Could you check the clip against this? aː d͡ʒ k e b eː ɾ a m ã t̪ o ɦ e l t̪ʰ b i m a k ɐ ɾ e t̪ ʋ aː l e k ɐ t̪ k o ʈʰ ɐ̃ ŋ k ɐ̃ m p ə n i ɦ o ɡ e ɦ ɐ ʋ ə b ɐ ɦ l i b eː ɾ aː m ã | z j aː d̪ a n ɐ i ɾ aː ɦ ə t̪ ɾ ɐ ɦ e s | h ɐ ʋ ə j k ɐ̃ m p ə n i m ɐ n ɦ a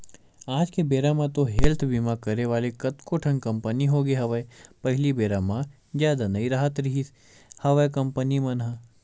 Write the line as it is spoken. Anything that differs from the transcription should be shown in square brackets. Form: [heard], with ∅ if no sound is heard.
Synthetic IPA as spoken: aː d͡ʒ k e b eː ɾ a m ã t̪ o ɦ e l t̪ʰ b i m a k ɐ ɾ e [∅] ʋ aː l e k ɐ t̪ k o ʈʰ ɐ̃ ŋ k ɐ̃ m p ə n i ɦ o ɡ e ɦ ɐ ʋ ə [p] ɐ ɦ l i b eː ɾ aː m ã | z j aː d̪ a n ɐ i ɾ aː ɦ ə t̪ ɾ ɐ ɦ [i] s | h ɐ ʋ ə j k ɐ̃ m p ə n i m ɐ n ɦ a

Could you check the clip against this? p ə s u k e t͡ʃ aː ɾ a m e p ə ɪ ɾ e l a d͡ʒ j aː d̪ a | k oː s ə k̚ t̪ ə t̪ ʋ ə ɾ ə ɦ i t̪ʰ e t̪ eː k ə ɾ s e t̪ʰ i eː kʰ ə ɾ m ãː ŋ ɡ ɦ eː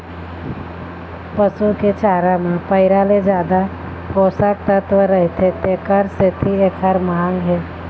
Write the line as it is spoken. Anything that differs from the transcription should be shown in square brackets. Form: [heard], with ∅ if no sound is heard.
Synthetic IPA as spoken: p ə s u k e t͡ʃ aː ɾ a m e p ə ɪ ɾ [a] l [e] d͡ʒ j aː d̪ a | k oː s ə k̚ t̪ ə t̪ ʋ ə ɾ ə ɦ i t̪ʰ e t̪ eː k ə ɾ s e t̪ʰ i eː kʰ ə ɾ m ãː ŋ ɡ ɦ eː

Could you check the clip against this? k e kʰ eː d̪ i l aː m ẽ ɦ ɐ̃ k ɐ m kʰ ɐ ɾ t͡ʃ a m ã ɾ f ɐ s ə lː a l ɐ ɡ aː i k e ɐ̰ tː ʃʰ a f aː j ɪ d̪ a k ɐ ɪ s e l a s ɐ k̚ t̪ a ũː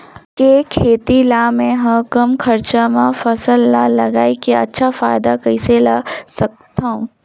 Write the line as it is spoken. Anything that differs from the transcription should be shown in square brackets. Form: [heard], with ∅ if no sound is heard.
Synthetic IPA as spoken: k e kʰ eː [t̪] i l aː m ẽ ɦ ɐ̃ k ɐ m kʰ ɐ ɾ t͡ʃ a m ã [∅] f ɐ s ə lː a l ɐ ɡ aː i k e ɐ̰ tː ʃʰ a f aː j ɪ d̪ a k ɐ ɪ s e l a s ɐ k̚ t̪ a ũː

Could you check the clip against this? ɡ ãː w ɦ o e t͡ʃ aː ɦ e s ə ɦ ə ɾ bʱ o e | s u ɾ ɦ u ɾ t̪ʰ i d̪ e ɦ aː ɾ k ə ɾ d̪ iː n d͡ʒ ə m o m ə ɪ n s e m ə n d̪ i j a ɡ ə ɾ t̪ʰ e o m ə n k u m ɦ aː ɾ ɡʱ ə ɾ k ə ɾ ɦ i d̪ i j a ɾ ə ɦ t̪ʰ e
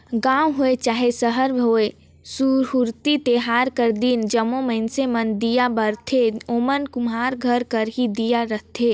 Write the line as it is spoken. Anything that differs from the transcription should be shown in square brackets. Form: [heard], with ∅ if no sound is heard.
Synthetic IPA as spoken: ɡ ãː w ɦ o e t͡ʃ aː ɦ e s ə ɦ ə ɾ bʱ o e | s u ɾ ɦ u ɾ [t̪] i [t̪] e ɦ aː ɾ k ə ɾ d̪ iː n d͡ʒ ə m o m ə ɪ n s e m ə n d̪ i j a [b] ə ɾ t̪ʰ e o m ə n k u m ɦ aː ɾ ɡʱ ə ɾ k ə ɾ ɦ i d̪ i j a ɾ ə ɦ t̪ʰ e

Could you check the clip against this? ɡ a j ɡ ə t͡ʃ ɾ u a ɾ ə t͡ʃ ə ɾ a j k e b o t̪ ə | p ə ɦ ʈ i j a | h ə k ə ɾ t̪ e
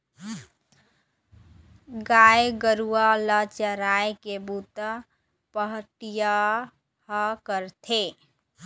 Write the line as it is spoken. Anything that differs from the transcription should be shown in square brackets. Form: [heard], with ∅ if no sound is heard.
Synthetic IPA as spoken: ɡ a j ɡ ə [∅] ɾ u a [l] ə t͡ʃ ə ɾ a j k e b [u] t̪ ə | p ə ɦ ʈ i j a | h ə k ə ɾ [t̪ʰ] e

